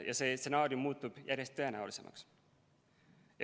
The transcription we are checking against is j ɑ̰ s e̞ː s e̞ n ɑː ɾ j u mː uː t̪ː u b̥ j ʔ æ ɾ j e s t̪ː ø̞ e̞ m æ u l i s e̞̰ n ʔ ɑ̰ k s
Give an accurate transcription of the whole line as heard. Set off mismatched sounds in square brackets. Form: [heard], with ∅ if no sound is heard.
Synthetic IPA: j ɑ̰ s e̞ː s e̞ n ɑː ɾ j u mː uː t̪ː u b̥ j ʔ æ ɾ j e s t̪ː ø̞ e̞ [n] æ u l i s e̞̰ [m] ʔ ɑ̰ k s